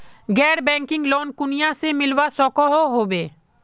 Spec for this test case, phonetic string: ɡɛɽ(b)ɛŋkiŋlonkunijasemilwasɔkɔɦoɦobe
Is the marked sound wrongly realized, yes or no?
no